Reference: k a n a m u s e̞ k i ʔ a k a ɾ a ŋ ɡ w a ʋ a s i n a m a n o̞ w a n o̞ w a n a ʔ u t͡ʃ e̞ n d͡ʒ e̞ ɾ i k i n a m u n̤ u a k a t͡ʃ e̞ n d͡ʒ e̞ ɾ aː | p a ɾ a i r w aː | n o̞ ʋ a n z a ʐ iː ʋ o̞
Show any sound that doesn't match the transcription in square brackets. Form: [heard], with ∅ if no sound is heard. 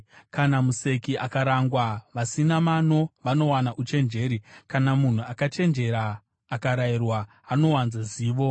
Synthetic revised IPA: k a n a m u s e̞ k i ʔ a k a ɾ a ŋ ɡ w a ʋ a s i n a m a n o̞ [ʋ] a n o̞ w a n a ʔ u t͡ʃ e̞ n d͡ʒ e̞ ɾ i k [a] n a m u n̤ u a k a t͡ʃ e̞ n d͡ʒ e̞ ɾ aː | [k] a ɾ a i r w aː | n o̞ [w] a n z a [z] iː ʋ o̞